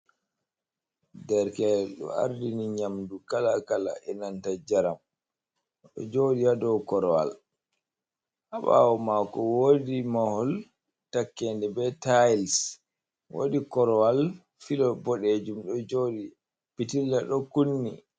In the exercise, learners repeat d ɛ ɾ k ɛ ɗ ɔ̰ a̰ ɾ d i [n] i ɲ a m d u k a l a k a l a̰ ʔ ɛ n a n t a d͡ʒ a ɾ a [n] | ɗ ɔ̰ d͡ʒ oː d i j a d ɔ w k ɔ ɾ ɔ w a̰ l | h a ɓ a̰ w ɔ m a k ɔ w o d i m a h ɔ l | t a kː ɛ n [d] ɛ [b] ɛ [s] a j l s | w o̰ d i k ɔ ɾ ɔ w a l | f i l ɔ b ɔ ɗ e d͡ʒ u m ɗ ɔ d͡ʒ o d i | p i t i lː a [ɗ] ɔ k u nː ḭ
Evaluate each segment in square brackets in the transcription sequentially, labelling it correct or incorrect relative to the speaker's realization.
correct, incorrect, correct, correct, incorrect, correct

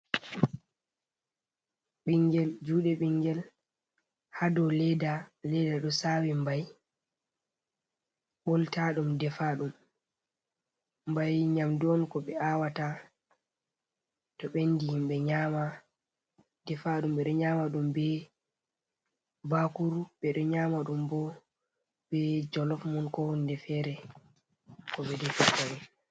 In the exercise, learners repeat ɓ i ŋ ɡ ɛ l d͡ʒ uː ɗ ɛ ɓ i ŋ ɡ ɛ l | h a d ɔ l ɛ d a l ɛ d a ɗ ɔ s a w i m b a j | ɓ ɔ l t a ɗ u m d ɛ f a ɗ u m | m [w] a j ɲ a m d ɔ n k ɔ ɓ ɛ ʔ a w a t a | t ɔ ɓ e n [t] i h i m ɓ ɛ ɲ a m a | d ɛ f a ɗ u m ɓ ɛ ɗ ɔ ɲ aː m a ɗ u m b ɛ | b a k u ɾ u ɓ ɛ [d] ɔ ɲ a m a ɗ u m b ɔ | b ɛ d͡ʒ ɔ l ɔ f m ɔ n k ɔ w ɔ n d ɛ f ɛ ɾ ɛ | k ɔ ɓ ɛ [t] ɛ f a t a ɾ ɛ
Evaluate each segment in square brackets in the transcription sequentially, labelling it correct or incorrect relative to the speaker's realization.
incorrect, incorrect, incorrect, incorrect

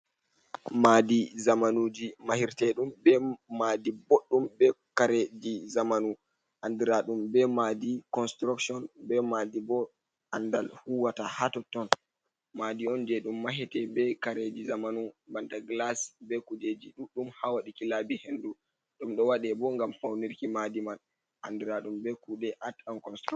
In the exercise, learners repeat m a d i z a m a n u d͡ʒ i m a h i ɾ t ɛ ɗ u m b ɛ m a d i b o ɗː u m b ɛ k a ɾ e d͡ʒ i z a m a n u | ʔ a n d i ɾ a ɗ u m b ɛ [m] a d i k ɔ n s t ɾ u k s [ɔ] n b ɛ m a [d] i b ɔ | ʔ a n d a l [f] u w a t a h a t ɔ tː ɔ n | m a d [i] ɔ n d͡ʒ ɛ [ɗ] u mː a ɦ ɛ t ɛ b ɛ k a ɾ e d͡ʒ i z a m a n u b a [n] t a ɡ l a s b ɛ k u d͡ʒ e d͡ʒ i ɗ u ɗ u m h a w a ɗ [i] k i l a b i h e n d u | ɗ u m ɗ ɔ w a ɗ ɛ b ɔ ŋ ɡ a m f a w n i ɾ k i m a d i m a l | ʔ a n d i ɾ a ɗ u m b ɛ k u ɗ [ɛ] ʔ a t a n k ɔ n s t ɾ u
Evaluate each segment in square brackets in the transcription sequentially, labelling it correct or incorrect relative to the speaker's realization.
correct, correct, correct, incorrect, correct, correct, correct, correct, correct

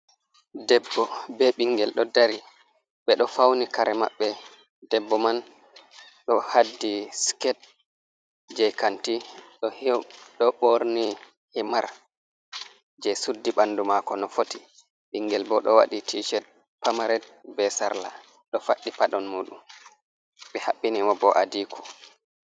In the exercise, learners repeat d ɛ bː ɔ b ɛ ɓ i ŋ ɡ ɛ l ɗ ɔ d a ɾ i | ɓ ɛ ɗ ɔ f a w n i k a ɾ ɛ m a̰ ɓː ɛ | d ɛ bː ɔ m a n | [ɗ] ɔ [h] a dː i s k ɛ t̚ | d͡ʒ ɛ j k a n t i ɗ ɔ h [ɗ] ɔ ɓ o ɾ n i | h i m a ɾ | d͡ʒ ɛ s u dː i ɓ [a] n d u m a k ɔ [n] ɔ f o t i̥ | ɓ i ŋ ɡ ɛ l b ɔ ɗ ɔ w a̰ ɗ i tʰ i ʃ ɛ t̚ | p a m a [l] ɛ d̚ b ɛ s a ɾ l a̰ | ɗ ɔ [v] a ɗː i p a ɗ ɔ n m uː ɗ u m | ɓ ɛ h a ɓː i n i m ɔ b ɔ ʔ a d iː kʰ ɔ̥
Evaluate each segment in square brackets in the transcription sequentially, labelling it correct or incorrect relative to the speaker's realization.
correct, correct, correct, correct, correct, incorrect, incorrect

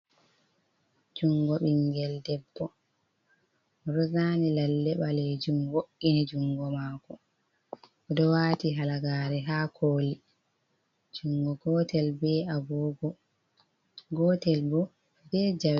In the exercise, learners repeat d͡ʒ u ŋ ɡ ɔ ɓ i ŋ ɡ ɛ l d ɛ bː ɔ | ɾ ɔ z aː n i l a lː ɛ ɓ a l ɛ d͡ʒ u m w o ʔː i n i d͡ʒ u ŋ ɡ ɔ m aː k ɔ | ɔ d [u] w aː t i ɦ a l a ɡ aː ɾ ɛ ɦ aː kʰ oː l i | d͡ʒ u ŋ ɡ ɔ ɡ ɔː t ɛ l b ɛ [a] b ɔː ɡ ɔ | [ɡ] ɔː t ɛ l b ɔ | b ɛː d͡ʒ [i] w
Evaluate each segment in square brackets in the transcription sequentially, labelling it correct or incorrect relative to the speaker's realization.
incorrect, correct, correct, incorrect

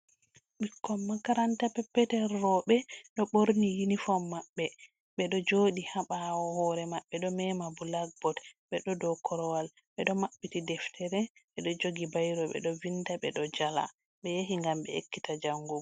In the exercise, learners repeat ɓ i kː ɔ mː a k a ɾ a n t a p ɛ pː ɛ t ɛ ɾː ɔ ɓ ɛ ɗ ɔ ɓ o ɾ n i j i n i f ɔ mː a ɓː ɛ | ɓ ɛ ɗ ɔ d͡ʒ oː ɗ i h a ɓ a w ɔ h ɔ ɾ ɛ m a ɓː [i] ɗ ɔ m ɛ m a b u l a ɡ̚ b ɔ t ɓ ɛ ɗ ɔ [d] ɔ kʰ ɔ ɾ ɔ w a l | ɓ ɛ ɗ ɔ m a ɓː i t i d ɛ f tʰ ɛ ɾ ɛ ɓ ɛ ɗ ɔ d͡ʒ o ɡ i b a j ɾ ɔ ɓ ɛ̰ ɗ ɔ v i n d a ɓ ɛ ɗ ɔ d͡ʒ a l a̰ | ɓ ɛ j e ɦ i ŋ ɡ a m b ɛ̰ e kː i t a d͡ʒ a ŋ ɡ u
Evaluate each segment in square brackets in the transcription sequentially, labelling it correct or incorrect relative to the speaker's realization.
incorrect, correct

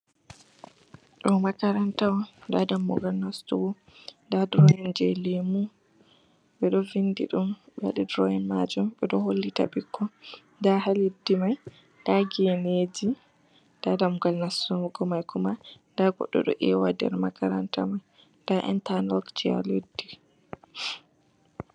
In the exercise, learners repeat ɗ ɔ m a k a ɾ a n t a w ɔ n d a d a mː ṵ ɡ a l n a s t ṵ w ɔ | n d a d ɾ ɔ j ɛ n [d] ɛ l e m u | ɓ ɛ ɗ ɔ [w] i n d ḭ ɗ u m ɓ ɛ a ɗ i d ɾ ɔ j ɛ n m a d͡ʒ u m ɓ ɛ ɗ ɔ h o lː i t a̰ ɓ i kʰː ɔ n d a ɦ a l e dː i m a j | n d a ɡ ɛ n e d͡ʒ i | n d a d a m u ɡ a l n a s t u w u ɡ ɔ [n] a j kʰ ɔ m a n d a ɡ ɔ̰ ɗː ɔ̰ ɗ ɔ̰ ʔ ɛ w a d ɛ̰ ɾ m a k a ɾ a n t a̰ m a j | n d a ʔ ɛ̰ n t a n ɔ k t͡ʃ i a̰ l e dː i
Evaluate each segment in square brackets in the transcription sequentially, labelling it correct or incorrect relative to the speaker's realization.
incorrect, incorrect, incorrect

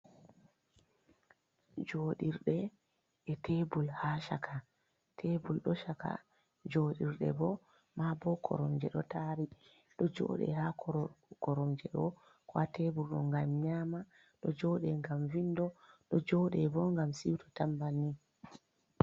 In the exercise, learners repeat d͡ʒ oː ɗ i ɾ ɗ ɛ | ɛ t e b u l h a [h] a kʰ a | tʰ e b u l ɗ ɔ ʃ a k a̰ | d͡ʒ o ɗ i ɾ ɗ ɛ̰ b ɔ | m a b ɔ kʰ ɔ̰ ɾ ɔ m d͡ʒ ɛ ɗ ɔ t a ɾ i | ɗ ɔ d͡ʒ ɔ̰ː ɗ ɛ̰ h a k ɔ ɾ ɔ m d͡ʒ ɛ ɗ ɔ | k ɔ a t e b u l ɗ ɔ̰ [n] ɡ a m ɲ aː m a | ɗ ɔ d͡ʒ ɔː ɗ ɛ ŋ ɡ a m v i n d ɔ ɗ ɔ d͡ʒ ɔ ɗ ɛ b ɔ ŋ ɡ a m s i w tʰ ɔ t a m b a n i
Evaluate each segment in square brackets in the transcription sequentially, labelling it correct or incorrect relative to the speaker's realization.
incorrect, incorrect

